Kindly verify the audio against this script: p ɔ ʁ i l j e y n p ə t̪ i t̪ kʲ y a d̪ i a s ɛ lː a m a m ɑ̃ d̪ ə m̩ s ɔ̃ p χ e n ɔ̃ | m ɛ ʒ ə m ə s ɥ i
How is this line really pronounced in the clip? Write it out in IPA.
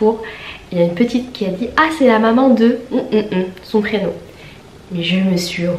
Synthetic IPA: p u ʁ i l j a y n p ə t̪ i t̪ kʲ i a d̪ i a s ɛ l a m a m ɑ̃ d̪ ə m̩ s ɔ̃ p χ e n ɔ̃ | m ɛ ʒ ə m ə s ɥ i